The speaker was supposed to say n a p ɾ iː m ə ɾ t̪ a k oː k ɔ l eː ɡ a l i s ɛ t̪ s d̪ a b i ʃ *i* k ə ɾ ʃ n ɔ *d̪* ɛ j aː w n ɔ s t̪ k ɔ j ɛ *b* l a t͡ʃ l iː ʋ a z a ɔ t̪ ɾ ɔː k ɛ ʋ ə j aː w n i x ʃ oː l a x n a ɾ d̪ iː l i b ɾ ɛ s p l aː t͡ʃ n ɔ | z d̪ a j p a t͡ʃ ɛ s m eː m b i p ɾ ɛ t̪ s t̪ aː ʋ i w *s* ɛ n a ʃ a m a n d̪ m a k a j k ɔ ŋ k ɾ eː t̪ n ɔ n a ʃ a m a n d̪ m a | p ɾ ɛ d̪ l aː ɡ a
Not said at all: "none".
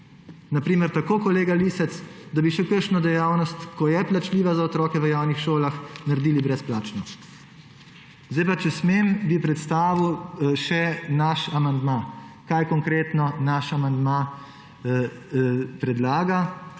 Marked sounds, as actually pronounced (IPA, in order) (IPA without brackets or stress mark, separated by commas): ɛ, d̪, p, ʃ